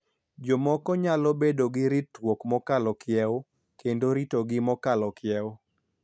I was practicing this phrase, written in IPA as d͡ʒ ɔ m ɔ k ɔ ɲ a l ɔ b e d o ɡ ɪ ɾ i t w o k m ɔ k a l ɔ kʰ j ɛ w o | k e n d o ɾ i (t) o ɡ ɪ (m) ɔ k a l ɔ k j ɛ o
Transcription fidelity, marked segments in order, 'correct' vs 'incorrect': correct, correct

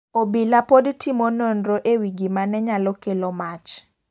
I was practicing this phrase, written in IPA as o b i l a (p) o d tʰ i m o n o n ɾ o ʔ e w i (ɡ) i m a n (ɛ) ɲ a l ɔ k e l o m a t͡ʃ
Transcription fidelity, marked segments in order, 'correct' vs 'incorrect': correct, correct, correct

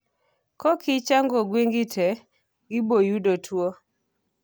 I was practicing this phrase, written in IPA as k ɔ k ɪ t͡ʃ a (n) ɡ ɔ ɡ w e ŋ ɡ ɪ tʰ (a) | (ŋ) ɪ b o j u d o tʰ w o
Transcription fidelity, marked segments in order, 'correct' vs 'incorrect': incorrect: ŋ, incorrect: ɛ, incorrect: ɡ

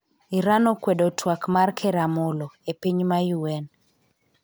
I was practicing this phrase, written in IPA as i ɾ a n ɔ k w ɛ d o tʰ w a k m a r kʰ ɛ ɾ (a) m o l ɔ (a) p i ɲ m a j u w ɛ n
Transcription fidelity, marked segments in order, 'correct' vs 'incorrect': correct, incorrect: e

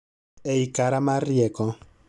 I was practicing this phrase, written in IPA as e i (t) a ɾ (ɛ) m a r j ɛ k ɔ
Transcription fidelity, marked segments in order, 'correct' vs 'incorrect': incorrect: k, incorrect: a

